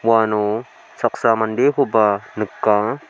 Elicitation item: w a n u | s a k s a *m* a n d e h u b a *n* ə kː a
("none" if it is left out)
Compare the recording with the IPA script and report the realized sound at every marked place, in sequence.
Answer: m, n

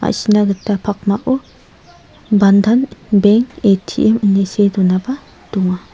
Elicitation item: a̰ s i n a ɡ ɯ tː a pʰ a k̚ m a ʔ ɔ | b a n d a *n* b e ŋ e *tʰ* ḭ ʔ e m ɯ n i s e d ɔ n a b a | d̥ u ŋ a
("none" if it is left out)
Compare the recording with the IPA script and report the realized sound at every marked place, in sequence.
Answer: n, tʰ

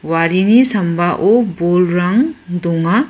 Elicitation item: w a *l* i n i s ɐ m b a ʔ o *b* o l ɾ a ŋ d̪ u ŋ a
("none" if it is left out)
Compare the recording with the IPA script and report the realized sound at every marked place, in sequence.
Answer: ɾ, b

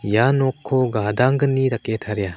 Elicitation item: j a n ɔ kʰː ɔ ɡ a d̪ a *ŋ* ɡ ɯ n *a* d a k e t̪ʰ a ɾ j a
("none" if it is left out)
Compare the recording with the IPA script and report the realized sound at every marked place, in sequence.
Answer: ŋ, i

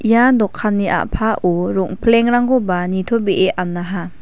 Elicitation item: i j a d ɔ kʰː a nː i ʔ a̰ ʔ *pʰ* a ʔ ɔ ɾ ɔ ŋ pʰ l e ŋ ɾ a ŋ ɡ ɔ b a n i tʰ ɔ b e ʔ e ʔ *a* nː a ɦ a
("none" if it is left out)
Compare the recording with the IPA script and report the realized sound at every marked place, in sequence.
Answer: pʰ, a

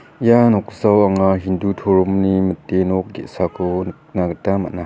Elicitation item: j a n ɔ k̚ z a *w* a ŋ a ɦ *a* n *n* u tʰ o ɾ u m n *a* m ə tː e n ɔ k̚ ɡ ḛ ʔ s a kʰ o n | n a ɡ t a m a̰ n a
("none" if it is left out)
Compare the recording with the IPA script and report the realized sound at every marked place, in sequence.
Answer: w, i, d, i

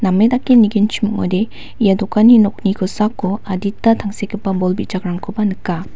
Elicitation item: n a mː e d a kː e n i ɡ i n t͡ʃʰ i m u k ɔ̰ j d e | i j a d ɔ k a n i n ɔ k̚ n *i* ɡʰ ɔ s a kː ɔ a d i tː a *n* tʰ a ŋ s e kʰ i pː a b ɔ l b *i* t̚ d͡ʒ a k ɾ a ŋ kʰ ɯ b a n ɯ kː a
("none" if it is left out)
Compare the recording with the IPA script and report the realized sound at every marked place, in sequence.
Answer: i, none, i

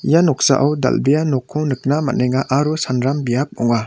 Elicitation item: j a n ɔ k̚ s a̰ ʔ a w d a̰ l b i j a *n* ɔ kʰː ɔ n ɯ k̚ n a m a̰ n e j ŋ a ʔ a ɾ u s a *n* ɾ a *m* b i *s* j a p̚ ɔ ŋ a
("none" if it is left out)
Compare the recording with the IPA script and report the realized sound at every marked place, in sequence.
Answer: n, n, m, none

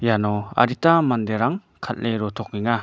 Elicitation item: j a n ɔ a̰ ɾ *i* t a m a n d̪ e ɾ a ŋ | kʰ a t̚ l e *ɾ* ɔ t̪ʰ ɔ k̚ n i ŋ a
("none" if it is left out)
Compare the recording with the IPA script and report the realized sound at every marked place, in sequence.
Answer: i, ɾ

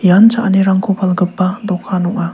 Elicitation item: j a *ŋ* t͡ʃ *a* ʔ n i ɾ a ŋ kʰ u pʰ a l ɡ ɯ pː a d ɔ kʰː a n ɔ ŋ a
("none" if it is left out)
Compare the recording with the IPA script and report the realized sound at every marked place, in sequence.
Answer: n, a

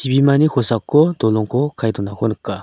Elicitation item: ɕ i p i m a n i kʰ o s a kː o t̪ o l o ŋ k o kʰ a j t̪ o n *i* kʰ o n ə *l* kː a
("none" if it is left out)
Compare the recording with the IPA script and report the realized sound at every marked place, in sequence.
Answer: a, none

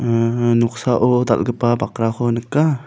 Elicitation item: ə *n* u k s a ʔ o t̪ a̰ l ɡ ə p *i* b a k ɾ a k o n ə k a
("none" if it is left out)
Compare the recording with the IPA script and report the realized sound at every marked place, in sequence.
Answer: n, a

